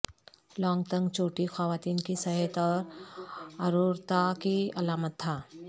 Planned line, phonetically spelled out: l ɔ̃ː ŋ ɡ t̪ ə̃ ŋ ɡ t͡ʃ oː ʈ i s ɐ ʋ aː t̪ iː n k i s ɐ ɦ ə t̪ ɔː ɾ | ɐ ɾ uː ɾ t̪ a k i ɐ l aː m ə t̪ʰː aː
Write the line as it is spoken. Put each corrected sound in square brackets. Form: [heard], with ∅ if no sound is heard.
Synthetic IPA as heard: l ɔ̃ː ŋ ɡ t̪ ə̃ ŋ ɡ t͡ʃ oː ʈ i [x] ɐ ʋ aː t̪ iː n k i s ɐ ɦ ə t̪ ɔː ɾ | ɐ ɾ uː ɾ t̪ a k i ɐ l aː m ə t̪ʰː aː